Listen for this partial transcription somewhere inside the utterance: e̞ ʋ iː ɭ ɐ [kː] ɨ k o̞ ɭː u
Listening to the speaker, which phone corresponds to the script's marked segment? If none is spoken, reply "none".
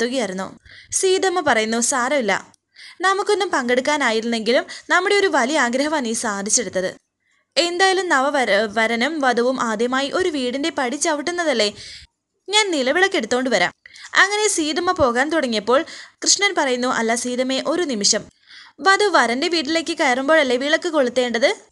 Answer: kː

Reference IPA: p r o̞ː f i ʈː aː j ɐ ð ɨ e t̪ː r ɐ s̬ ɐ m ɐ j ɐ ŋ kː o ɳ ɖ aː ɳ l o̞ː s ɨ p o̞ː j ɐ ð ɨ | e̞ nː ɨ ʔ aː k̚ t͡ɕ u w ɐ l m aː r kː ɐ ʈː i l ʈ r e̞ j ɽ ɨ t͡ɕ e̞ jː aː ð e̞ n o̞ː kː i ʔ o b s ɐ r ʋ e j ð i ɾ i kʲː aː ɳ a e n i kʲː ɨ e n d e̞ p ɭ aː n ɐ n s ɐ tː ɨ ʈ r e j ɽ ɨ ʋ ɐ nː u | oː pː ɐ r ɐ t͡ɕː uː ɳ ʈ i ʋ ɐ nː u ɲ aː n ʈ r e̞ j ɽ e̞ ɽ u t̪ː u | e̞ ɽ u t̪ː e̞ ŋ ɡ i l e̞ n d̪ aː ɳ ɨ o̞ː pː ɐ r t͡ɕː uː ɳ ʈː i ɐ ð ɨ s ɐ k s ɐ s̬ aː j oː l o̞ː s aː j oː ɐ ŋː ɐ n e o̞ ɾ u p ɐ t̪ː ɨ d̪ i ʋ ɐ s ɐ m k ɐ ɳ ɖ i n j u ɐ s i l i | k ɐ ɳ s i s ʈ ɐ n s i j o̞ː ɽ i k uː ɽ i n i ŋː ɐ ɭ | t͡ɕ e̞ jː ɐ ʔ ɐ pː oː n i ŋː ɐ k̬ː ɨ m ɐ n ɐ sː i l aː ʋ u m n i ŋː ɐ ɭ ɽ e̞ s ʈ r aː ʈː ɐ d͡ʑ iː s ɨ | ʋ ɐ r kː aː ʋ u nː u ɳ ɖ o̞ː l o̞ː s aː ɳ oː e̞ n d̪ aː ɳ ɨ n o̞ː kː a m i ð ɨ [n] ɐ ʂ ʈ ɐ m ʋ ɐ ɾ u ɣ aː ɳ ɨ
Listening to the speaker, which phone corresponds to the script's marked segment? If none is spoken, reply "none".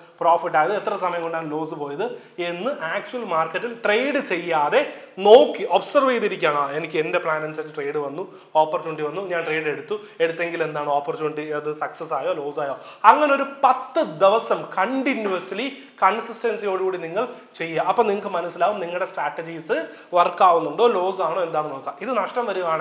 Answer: n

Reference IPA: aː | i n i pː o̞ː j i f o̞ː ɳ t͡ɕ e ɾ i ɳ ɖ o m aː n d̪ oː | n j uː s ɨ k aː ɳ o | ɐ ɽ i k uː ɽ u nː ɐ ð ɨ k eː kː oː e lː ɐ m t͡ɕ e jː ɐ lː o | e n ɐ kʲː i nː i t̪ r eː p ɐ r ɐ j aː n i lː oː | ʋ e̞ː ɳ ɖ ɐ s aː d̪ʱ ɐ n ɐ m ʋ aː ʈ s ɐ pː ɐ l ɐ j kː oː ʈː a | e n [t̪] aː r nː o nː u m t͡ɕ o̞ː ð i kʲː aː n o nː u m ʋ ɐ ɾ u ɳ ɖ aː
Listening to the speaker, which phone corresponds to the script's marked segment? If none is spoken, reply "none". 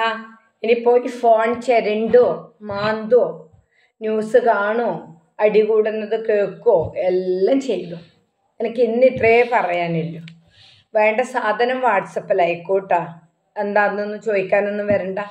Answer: d̪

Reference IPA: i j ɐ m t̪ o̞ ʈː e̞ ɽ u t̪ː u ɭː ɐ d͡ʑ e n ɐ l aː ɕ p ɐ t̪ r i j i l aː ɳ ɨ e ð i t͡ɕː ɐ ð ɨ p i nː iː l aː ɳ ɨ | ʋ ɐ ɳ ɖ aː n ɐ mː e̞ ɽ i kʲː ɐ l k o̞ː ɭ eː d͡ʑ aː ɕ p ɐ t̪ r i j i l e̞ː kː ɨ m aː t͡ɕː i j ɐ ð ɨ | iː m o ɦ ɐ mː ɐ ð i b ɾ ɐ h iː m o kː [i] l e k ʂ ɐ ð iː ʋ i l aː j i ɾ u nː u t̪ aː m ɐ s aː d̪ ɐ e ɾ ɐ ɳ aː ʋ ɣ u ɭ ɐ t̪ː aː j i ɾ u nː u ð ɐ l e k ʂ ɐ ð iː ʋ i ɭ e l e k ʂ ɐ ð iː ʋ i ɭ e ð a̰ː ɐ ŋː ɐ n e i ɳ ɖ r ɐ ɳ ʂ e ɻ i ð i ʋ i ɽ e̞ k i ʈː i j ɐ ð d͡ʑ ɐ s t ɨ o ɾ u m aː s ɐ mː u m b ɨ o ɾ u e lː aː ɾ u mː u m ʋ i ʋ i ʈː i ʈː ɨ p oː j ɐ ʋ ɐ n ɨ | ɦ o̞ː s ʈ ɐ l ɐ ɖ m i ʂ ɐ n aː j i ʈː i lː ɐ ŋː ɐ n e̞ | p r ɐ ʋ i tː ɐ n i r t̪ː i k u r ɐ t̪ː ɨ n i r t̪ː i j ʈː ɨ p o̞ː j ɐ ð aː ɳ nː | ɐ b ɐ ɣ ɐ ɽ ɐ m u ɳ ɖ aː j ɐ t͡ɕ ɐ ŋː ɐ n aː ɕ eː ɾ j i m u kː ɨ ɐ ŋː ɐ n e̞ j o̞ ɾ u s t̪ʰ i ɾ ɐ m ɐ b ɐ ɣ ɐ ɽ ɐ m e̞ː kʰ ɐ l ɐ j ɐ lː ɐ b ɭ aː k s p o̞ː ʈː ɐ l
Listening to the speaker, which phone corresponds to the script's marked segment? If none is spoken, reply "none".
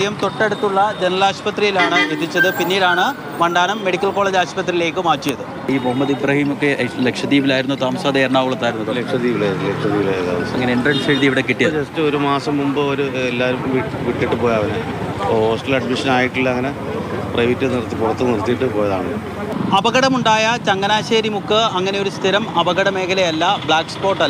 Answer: e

